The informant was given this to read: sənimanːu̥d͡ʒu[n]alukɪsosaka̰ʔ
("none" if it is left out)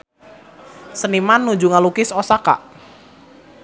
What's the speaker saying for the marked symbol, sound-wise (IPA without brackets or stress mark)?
ŋ